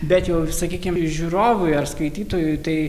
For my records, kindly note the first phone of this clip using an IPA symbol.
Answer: bʲ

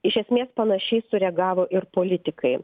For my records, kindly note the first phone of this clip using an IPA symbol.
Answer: ɪ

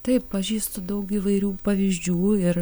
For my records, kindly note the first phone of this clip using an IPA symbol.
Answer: t̪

